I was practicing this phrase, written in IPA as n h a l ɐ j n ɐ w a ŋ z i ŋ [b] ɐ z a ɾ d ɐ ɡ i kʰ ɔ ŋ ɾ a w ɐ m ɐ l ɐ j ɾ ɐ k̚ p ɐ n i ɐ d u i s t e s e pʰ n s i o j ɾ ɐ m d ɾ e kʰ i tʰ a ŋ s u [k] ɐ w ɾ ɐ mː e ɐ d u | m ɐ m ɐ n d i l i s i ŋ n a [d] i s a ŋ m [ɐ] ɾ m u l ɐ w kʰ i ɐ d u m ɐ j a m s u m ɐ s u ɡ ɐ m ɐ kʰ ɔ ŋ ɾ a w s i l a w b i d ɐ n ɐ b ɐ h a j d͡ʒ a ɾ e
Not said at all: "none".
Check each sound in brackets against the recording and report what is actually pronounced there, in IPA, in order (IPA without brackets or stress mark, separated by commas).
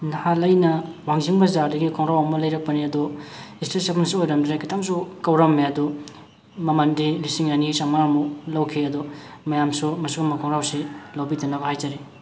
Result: b, k, n, a